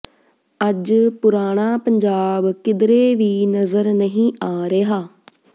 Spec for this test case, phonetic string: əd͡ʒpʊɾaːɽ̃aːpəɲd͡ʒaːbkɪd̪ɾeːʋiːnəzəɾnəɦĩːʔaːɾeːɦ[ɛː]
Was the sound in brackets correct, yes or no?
no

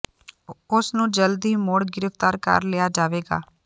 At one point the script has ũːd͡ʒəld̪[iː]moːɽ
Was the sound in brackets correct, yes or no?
yes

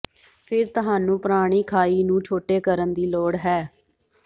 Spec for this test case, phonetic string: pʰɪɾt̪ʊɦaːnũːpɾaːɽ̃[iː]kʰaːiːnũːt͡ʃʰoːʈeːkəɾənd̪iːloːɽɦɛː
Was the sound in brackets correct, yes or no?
yes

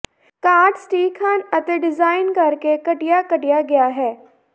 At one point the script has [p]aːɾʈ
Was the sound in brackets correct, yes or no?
no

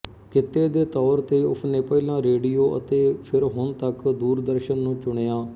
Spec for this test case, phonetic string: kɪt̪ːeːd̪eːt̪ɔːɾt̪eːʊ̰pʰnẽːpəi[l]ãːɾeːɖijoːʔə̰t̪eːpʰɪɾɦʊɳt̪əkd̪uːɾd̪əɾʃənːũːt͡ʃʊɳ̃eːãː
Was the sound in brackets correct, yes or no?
yes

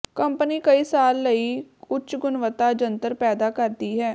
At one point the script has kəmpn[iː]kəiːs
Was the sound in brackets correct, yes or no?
yes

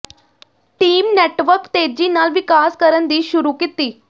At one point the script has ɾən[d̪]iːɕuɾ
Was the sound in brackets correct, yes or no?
yes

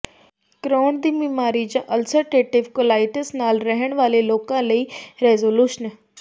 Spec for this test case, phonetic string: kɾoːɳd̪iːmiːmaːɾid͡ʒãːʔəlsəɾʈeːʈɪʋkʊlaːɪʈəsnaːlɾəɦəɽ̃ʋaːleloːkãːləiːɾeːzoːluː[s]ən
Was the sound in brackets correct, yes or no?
no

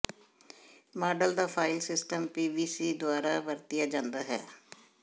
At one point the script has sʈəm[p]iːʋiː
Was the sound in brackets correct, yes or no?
yes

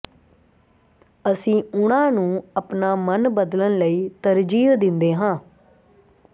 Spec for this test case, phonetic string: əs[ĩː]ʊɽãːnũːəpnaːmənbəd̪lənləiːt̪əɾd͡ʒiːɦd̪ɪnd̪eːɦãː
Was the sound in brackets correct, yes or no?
yes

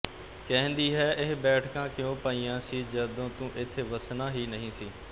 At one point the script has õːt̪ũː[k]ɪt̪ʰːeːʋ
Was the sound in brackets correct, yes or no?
no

